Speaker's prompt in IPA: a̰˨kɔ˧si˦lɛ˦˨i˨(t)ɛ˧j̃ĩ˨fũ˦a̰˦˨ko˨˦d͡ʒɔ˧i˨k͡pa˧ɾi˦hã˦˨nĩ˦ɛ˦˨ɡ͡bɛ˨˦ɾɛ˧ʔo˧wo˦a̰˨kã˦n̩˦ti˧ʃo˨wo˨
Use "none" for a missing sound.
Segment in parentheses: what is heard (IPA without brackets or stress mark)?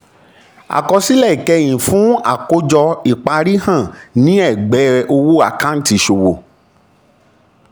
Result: k